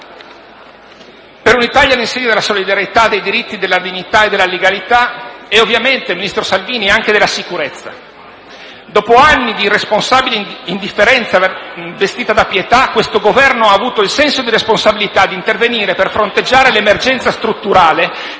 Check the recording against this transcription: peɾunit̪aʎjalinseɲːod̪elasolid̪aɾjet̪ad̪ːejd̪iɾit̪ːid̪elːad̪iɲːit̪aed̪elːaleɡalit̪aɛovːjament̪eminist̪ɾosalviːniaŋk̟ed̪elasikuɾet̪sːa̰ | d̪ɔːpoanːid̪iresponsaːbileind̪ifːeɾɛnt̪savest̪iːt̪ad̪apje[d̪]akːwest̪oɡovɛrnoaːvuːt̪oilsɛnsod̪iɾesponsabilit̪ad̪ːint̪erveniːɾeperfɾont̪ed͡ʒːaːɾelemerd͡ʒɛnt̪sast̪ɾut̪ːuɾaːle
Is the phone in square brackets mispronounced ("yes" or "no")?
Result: yes